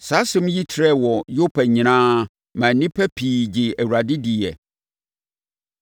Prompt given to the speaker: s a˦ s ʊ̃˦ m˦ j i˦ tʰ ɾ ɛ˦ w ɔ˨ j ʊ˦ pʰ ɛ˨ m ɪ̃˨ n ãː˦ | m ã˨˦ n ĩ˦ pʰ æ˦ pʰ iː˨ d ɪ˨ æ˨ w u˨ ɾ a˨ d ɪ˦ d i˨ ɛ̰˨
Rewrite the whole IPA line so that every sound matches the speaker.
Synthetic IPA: s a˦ s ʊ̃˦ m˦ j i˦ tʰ ɾ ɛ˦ w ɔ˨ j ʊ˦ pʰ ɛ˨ ɲ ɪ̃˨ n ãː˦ | m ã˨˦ n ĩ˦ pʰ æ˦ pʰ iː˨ d͡ʑ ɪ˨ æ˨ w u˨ ɾ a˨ d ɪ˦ d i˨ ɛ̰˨